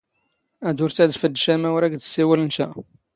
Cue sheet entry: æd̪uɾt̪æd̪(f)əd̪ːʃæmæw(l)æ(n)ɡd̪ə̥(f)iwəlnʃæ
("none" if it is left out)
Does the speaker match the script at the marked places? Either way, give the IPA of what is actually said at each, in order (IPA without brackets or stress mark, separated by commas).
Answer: f, ɾ, none, s